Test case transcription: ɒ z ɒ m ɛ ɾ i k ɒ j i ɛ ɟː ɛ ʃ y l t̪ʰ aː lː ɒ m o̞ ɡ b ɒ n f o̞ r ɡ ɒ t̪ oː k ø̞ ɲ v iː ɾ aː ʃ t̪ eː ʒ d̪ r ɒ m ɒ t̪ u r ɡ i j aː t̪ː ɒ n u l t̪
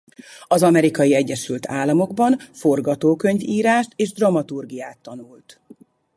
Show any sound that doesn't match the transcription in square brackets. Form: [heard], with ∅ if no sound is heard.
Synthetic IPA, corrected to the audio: ɒ z ɒ m ɛ ɾ i k ɒ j i ɛ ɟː ɛ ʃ y l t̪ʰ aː lː ɒ m o̞ ɡ b ɒ n f o̞ r ɡ ɒ t̪ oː k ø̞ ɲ v iː ɾ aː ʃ t̪ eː ʒ d̪ r ɒ m ɒ t̪ u r ɡ i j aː t̪ː ɒ n u l t̪